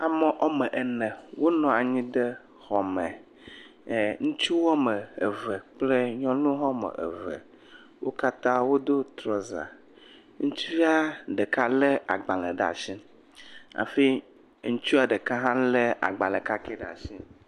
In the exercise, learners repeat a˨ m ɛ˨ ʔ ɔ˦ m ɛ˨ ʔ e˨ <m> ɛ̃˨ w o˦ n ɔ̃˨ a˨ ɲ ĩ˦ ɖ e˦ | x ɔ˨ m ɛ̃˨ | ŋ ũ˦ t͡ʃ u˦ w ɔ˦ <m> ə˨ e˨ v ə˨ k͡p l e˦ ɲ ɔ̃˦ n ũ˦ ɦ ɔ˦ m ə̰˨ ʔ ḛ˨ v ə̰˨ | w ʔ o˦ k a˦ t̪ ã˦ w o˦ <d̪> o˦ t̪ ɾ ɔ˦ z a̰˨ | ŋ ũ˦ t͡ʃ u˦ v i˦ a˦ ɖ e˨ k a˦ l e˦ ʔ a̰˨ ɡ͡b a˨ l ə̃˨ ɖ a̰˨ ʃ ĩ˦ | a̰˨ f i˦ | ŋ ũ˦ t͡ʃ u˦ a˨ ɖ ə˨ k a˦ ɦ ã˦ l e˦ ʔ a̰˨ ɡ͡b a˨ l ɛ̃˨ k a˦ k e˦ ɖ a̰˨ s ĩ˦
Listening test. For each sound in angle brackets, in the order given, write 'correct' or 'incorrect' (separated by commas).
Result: incorrect, correct, correct